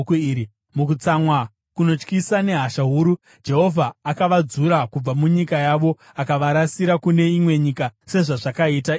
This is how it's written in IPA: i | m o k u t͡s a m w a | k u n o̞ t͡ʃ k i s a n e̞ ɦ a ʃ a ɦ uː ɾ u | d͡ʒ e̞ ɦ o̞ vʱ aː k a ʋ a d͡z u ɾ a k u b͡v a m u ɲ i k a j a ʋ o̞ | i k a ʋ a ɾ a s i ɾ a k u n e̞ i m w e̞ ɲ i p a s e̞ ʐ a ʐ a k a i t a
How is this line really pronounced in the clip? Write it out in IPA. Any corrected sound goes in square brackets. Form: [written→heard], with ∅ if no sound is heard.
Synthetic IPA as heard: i | m [o→u] k u t͡s a m w a | k u n o̞ t͡ʃ k i s a n e̞ ɦ a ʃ a ɦ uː ɾ u | d͡ʒ e̞ ɦ o̞ vʱ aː k a ʋ a d͡z u ɾ a k u b͡v a m u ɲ i k a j a ʋ o̞ | [i→a] k a ʋ a ɾ a s i ɾ a k u n e̞ i m w e̞ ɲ i [p→k] a s e̞ ʐ a ʐ a k a i t a